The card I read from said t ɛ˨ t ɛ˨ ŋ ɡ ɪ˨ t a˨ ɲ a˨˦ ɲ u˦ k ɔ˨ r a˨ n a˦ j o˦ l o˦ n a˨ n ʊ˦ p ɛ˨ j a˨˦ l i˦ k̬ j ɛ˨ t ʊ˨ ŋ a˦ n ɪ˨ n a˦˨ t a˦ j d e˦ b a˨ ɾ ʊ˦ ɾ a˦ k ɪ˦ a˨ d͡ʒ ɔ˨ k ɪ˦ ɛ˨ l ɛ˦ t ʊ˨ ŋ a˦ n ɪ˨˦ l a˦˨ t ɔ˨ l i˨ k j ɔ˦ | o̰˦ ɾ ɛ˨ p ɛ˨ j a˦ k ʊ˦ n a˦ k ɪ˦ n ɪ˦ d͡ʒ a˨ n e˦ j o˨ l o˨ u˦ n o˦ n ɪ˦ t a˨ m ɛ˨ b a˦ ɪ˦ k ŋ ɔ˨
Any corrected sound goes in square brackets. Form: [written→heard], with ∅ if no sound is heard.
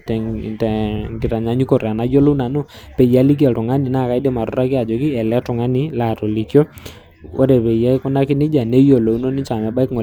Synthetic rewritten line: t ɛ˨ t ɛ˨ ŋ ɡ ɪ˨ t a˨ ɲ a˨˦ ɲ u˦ k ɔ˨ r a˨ n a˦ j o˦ l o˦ n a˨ n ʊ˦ p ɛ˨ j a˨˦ l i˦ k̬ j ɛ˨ t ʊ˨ ŋ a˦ n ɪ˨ n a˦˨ [t→k] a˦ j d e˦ [b→m] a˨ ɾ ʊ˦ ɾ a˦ k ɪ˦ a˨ d͡ʒ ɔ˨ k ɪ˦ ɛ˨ l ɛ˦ t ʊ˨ ŋ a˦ n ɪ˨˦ l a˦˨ t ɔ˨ l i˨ k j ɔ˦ | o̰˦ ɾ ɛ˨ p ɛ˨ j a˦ k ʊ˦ n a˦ k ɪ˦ n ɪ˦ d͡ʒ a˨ n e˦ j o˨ l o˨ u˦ n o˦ n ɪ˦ [t→t͡ʃ] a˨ m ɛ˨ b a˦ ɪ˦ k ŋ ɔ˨